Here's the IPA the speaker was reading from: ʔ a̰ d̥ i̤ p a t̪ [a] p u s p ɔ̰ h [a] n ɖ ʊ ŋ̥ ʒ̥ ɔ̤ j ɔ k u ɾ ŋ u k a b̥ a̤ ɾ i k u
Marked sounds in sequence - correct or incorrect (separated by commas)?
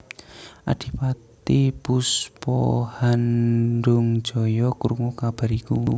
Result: incorrect, correct